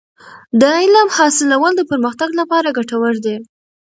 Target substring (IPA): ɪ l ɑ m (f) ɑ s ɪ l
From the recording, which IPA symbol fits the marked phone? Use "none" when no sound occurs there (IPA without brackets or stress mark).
h